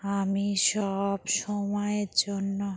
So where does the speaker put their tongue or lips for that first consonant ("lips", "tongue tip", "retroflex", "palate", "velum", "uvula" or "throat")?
lips